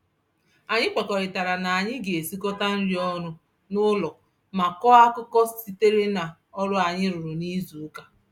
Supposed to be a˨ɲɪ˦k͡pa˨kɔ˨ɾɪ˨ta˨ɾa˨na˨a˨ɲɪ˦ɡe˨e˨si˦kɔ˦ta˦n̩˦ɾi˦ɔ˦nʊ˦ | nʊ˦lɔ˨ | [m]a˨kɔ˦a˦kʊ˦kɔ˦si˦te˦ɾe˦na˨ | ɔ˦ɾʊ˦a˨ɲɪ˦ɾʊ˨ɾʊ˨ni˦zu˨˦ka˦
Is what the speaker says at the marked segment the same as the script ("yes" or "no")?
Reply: yes